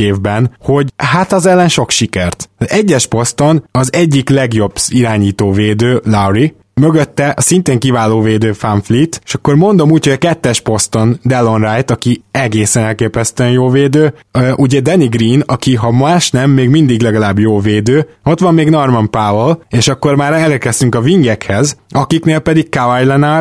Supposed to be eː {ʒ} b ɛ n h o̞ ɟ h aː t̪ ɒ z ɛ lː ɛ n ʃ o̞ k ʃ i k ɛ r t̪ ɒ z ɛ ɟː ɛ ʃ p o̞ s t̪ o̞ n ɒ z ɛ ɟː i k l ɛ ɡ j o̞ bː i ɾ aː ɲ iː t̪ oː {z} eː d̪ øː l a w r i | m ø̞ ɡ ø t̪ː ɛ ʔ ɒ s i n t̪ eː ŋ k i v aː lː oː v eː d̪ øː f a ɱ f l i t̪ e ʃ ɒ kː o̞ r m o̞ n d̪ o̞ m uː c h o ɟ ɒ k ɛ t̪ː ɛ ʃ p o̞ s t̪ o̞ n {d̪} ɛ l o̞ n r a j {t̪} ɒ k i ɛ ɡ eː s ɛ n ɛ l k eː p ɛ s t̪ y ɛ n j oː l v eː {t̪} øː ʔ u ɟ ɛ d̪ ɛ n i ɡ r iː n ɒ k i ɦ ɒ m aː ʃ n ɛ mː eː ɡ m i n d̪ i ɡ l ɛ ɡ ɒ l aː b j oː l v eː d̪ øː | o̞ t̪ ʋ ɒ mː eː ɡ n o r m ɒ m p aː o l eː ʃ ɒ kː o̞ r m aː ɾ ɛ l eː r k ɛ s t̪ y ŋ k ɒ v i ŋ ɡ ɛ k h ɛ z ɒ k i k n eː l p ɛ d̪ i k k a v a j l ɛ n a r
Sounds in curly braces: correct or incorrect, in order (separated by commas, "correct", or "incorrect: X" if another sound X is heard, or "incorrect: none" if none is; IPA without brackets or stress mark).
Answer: incorrect: v, incorrect: v, correct, correct, incorrect: d̪